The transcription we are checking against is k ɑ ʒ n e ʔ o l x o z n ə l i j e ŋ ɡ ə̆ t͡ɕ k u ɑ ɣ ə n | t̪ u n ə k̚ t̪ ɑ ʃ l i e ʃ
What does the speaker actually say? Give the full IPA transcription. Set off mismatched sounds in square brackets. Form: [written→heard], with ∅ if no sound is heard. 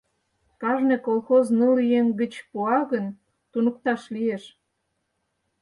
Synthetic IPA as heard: k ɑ ʒ n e [ʔ→k] o l x o z n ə l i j e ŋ ɡ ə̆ t͡ɕ [k→p] u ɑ ɣ ə n | t̪ u n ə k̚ t̪ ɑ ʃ l i e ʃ